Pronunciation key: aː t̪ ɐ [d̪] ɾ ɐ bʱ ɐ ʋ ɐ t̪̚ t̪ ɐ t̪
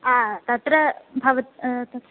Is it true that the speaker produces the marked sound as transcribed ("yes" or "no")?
no